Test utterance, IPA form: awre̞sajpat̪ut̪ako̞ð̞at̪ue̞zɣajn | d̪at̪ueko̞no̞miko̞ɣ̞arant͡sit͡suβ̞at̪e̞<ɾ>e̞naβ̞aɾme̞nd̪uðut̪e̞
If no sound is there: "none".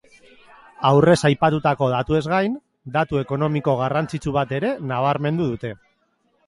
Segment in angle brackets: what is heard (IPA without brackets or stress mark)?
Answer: ɾ